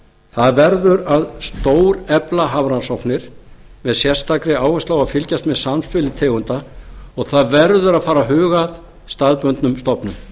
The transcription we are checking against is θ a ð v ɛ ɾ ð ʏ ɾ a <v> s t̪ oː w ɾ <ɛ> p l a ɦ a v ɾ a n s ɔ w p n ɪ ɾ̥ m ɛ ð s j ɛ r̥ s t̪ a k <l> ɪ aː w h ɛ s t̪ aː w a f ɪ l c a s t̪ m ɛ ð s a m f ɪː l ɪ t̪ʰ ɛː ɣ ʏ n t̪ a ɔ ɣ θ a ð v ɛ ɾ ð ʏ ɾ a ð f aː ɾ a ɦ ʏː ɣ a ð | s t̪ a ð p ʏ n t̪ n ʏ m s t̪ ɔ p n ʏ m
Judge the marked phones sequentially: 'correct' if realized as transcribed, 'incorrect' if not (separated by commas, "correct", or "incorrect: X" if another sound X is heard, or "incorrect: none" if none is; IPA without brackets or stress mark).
incorrect: ð, correct, incorrect: ɾ